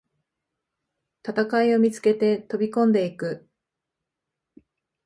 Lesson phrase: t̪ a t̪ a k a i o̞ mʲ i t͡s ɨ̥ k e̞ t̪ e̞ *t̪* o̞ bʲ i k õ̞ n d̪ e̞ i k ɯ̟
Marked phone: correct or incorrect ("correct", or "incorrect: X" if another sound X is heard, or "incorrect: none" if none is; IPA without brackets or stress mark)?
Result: correct